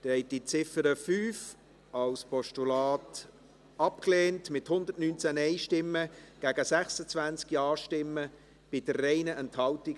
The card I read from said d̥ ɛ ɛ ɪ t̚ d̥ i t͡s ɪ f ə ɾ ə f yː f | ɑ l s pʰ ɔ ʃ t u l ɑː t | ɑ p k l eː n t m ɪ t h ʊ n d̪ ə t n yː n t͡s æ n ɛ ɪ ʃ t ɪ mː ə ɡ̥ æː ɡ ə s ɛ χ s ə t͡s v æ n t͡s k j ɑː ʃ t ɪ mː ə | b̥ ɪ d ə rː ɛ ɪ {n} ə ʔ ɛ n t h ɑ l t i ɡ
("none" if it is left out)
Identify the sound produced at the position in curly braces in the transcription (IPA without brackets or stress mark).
n